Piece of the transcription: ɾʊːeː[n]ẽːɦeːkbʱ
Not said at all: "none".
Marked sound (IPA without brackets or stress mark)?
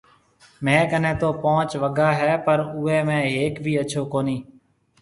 m